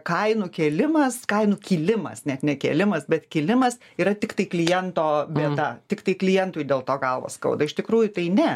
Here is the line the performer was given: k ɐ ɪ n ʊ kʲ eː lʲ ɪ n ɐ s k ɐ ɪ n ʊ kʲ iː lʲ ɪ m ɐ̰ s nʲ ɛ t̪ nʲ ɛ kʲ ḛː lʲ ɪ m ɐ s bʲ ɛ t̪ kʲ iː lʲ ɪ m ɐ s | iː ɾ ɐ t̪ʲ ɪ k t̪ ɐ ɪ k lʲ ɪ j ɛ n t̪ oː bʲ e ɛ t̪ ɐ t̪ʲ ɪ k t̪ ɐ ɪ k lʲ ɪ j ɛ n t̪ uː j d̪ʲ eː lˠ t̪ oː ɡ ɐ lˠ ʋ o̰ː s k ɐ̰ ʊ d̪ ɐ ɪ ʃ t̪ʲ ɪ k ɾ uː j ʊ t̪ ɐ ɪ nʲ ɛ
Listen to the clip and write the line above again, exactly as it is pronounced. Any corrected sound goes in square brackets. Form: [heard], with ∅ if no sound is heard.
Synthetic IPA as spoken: k ɐ ɪ n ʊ kʲ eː lʲ ɪ [m] ɐ s k ɐ ɪ n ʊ kʲ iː lʲ ɪ m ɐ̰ s nʲ ɛ t̪ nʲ ɛ kʲ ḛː lʲ ɪ m ɐ s bʲ ɛ t̪ kʲ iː lʲ ɪ m ɐ s | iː ɾ ɐ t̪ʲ ɪ k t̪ ɐ ɪ k lʲ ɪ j ɛ n t̪ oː bʲ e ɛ t̪ ɐ t̪ʲ ɪ k t̪ ɐ ɪ k lʲ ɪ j ɛ n t̪ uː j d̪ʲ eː lˠ t̪ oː ɡ ɐ lˠ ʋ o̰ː s k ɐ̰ ʊ d̪ ɐ ɪ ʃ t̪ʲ ɪ k ɾ uː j ʊ t̪ ɐ ɪ nʲ ɛ